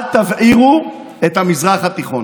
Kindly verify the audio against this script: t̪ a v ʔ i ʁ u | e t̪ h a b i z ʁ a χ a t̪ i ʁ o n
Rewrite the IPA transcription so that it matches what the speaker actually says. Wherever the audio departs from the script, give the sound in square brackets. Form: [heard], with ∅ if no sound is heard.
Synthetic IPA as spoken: t̪ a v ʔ i ʁ u | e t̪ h a [m] i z ʁ a χ a t̪ i [χ] o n